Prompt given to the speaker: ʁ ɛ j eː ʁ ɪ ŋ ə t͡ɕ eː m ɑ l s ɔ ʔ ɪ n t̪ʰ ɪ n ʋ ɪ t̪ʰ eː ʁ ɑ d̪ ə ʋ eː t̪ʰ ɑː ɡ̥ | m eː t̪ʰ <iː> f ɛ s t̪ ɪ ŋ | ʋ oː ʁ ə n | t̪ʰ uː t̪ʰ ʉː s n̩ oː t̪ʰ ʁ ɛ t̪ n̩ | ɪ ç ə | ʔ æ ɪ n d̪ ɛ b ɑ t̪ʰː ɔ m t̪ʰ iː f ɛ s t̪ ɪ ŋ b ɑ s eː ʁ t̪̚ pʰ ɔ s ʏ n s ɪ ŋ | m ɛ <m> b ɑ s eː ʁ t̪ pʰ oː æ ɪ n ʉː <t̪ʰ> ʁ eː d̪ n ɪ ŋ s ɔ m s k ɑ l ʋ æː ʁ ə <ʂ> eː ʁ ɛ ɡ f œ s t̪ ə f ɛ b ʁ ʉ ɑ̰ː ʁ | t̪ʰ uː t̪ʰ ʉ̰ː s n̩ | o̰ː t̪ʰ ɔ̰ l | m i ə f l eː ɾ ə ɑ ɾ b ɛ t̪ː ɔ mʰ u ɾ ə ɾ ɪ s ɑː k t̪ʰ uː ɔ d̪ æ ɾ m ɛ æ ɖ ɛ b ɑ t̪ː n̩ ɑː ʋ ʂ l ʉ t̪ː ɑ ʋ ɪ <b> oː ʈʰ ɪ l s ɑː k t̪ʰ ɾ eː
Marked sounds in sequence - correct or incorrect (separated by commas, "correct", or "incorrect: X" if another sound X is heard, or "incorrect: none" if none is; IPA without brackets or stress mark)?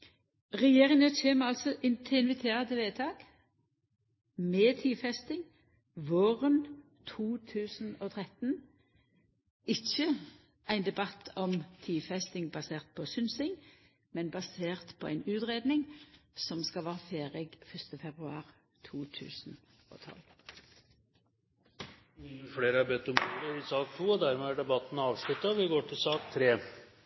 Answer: correct, incorrect: n, incorrect: t̪, incorrect: f, incorrect: ɡ